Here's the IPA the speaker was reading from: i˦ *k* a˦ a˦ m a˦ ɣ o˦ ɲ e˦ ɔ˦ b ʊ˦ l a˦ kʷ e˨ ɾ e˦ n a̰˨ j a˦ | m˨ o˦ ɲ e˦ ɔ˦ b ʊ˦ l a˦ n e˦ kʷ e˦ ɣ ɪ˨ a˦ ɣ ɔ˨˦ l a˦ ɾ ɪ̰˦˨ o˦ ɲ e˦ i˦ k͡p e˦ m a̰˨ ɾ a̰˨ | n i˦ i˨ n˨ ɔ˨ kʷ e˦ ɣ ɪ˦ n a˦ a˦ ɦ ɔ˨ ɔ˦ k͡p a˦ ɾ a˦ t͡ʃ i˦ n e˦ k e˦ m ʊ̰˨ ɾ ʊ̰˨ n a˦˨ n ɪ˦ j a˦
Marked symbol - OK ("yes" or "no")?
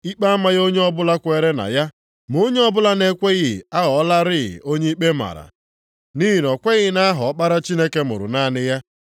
no